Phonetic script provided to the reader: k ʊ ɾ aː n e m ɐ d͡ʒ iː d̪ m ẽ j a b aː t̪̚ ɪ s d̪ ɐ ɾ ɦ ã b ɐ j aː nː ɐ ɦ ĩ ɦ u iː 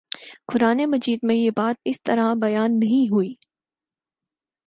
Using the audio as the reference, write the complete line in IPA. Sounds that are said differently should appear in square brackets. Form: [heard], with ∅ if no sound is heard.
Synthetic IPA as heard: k ʊ ɾ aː n e m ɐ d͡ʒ iː d̪ m ẽ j [e] b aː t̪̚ ɪ s [t̪] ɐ ɾ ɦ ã b ɐ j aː nː ɐ ɦ ĩ ɦ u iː